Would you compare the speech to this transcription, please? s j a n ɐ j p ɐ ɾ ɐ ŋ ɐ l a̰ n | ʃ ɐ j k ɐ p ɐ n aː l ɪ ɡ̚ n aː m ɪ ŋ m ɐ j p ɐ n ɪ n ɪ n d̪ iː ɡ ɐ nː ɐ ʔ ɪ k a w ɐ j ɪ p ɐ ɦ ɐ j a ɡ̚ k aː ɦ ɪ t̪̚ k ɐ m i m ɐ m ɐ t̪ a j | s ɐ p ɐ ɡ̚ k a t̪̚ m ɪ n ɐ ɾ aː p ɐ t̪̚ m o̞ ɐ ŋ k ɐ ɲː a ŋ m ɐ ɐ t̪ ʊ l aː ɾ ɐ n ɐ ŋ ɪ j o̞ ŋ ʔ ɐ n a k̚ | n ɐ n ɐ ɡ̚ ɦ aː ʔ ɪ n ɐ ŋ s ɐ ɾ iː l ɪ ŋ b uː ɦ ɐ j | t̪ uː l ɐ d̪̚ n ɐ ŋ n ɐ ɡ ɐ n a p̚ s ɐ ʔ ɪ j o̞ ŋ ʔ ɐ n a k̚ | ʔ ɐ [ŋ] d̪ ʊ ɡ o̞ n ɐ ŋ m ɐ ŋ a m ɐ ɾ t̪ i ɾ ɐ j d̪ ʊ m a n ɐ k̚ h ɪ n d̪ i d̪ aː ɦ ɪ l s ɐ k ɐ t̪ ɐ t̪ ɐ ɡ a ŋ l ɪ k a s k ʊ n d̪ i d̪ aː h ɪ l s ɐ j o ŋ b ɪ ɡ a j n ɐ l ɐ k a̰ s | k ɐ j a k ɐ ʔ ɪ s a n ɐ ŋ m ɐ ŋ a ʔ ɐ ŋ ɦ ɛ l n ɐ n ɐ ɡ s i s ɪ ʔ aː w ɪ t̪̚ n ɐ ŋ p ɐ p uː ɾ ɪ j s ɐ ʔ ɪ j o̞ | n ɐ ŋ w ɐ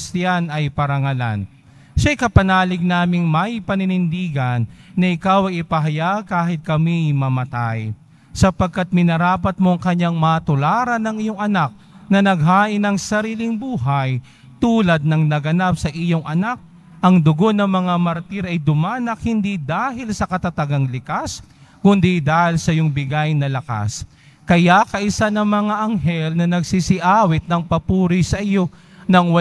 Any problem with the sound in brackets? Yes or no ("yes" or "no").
no